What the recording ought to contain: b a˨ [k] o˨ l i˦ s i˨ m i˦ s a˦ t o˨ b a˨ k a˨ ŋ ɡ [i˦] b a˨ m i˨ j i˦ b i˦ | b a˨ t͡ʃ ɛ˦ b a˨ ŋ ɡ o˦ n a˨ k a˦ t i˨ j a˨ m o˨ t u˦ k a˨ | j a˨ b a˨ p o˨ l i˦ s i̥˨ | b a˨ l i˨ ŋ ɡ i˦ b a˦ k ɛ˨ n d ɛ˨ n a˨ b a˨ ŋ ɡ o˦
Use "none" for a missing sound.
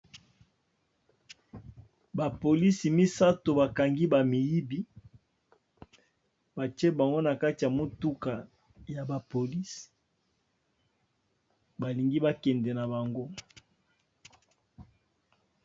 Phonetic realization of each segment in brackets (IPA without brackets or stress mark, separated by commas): p, i˦